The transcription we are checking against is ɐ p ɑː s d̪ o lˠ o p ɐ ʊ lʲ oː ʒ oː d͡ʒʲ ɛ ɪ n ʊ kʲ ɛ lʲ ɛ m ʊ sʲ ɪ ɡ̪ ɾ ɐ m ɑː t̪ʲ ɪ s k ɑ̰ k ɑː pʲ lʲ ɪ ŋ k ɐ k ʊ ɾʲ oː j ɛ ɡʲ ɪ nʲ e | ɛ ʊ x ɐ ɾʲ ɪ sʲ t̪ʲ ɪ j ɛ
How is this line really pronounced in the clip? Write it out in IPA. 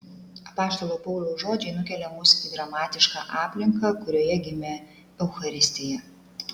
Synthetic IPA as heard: ɐ p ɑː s t̪ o lˠ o p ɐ ʊ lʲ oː ʒ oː d͡ʒʲ ɛ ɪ n ʊ kʲ ɛ lʲ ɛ m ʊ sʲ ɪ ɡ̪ ɾ ɐ m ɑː t̪ʲ ɪ ʃ k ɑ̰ ʔ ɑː pʲ lʲ ɪ ŋ k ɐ k ʊ ɾʲ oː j ɛ ɡʲ ɪ mʲ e | ɛ ʊ x ɐ ɾʲ ɪ sʲ t̪ʲ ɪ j ɛ